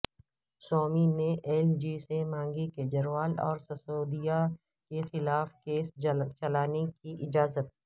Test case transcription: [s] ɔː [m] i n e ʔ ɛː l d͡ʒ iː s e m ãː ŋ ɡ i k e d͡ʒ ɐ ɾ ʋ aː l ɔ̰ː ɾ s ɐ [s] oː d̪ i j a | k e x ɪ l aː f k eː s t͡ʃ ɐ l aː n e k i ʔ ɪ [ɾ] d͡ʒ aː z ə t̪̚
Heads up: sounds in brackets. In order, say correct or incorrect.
correct, correct, correct, incorrect

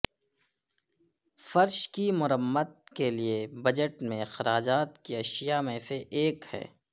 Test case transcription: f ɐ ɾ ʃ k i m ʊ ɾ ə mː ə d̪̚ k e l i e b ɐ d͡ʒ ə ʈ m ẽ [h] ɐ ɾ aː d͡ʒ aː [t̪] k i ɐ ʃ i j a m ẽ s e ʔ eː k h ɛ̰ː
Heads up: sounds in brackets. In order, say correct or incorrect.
incorrect, correct

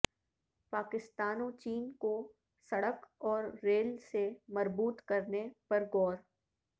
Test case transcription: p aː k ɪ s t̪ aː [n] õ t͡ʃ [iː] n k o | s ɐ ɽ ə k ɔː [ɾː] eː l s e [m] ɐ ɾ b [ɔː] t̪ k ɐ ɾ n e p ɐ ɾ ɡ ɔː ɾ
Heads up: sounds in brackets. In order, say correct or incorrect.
correct, correct, correct, correct, incorrect

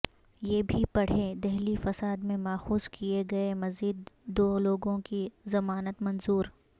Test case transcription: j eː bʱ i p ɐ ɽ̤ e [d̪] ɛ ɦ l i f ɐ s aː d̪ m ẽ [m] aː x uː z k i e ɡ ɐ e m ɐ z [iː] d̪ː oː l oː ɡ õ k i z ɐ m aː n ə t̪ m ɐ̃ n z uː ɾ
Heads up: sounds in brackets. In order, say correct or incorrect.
correct, correct, correct

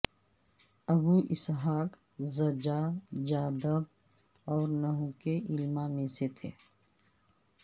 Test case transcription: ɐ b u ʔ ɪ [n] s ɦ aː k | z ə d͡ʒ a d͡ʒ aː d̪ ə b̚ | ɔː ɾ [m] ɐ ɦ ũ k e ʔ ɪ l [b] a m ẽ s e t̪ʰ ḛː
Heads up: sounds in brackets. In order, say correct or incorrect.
incorrect, incorrect, incorrect

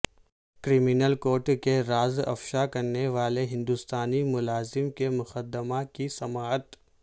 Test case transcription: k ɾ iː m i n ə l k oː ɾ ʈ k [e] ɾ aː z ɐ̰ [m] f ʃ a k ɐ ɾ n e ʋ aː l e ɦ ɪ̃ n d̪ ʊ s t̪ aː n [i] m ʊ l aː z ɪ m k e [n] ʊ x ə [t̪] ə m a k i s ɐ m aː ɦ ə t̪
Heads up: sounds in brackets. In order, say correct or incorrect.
correct, incorrect, correct, incorrect, incorrect

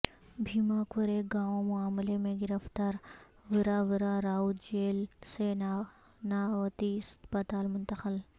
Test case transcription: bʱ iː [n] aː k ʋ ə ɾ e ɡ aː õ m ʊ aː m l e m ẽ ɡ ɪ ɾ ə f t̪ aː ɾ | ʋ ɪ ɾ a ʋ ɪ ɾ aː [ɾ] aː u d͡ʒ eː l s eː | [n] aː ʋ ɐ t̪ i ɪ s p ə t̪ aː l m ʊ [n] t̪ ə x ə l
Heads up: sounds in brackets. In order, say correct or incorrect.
incorrect, correct, correct, correct

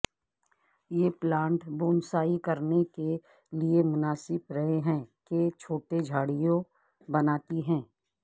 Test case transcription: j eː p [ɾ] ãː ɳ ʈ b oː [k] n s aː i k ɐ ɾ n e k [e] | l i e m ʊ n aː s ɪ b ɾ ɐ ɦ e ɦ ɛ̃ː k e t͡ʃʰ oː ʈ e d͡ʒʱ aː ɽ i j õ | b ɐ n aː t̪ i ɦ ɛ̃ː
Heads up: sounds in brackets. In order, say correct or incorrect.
incorrect, incorrect, correct

